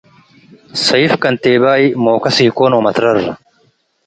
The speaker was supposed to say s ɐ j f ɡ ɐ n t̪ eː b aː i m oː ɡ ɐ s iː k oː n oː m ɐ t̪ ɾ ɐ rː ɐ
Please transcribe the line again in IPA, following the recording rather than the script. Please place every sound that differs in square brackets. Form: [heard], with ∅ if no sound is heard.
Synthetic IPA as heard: s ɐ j f [k] ɐ n t̪ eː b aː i m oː [k] ɐ s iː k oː n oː m ɐ t̪ ɾ ɐ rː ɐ